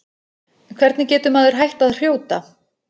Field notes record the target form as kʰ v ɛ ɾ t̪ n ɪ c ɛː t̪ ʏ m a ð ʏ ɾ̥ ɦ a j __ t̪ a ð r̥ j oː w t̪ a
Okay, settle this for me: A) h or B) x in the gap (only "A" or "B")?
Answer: A